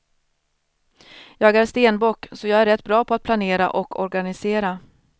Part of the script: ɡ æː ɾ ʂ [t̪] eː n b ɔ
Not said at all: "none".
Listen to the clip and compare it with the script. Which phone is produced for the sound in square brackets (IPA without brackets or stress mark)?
t̪